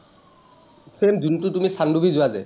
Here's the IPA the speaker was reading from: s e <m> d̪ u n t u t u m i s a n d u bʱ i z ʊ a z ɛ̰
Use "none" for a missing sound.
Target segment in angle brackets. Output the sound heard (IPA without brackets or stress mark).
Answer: m